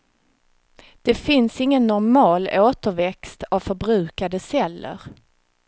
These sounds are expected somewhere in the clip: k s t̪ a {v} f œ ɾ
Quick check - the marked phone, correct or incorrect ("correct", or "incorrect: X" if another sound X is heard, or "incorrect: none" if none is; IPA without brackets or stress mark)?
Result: correct